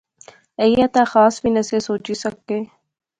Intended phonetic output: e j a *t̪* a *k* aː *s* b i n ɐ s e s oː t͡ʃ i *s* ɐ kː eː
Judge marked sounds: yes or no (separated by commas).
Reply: yes, no, yes, yes